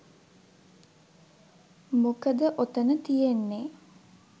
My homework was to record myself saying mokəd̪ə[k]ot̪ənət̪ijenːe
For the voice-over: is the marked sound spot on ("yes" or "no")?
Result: no